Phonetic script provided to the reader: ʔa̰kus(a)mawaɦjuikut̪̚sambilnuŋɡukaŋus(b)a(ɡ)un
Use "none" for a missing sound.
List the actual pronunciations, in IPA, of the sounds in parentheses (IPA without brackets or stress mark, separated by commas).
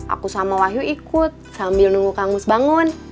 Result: a, b, ŋ